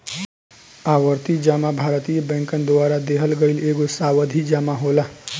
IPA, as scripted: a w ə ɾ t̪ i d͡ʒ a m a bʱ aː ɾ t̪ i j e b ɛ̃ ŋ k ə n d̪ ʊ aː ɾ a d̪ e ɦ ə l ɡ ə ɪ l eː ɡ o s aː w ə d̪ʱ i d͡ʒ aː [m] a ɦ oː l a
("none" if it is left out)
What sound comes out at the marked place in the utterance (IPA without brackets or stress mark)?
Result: m